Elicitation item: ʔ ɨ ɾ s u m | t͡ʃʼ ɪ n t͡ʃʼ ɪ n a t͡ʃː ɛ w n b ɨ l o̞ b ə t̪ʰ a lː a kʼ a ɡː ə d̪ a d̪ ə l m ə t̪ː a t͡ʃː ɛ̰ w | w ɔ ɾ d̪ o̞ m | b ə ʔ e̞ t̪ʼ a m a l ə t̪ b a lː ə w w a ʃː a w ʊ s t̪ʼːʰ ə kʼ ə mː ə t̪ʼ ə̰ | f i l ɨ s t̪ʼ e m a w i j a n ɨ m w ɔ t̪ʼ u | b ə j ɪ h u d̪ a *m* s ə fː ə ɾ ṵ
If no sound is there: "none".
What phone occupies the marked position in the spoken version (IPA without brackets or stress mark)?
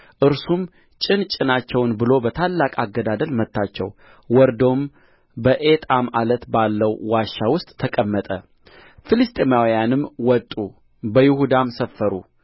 m